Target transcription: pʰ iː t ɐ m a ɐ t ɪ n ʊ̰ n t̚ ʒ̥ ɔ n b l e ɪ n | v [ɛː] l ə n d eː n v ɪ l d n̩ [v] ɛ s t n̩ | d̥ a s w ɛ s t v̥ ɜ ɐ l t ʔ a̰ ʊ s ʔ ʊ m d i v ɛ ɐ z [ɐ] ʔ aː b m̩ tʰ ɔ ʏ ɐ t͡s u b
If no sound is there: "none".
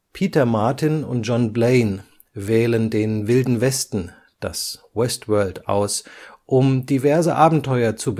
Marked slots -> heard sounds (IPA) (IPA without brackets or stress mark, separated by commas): ɛː, v, ə